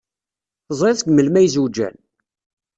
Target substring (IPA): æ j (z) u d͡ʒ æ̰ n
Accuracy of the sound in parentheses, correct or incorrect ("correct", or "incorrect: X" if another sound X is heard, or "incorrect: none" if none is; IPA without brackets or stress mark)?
correct